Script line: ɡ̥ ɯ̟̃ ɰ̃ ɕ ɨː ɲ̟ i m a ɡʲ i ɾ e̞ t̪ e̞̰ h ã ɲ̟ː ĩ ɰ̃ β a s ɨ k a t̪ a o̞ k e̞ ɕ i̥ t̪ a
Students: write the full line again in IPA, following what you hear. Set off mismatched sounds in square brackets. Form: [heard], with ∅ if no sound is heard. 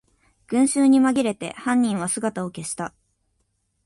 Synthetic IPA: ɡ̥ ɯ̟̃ ɰ̃ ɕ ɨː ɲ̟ i m a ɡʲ i ɾ e̞ t̪ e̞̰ h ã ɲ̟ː ĩ ɰ̃ β a s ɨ [ɡ] a t̪ a o̞ k e̞ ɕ i̥ t̪ a